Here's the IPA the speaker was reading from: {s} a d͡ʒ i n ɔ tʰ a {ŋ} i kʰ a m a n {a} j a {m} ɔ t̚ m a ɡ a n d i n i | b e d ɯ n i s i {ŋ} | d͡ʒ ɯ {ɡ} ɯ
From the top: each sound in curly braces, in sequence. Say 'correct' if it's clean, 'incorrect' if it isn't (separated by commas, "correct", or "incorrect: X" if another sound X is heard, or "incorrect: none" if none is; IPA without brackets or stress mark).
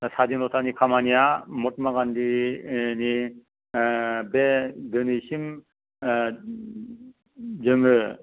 correct, incorrect: n, incorrect: i, correct, incorrect: m, incorrect: ŋ